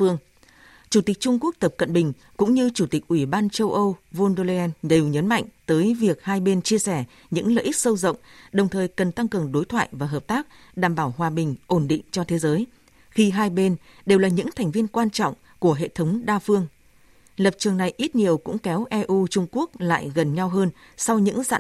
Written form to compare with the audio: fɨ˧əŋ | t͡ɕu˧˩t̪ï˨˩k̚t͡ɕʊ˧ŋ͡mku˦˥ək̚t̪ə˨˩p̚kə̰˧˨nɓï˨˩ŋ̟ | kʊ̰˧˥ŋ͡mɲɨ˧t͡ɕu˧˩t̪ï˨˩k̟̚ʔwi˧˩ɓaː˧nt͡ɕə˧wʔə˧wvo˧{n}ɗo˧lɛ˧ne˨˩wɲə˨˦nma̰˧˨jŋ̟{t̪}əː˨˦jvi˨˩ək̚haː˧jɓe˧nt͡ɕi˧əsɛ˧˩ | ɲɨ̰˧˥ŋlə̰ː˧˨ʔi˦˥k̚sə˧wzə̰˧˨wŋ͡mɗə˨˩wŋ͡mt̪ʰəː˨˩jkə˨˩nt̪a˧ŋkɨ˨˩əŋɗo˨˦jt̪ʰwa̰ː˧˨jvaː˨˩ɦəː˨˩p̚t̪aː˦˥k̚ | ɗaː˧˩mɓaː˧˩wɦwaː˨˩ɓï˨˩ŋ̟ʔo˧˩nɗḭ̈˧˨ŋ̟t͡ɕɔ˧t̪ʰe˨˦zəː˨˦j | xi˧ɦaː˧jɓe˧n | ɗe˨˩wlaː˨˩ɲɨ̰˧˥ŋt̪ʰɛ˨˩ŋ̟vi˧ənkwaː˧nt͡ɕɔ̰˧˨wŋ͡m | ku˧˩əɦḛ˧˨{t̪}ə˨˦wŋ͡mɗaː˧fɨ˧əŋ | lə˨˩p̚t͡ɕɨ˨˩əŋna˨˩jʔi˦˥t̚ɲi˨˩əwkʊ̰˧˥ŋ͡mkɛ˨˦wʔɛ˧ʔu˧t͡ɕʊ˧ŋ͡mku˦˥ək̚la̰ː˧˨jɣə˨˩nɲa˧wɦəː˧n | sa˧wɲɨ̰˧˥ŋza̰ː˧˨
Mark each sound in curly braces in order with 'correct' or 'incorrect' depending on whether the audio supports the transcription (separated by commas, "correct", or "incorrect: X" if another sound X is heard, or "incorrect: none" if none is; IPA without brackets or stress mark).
correct, correct, incorrect: t̪ʰ